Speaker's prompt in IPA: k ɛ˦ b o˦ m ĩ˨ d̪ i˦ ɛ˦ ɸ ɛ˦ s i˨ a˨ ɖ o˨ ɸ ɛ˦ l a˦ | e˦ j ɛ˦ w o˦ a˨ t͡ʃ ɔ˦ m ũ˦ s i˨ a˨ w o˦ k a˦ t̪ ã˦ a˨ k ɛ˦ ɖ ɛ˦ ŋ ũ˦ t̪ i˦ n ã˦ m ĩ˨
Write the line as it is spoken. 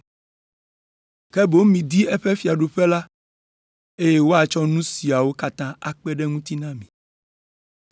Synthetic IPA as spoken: k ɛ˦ b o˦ m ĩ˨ d̪ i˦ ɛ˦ ɸ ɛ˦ f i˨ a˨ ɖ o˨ ɸ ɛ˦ l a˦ | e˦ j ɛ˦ w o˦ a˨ t͡ʃ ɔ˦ n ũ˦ s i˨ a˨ w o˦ k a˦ t̪ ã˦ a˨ k͡p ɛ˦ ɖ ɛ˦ ŋ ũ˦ t̪ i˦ n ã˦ m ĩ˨